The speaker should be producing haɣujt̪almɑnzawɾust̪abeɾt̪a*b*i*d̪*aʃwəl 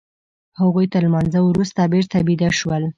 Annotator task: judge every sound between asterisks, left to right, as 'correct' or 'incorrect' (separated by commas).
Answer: correct, correct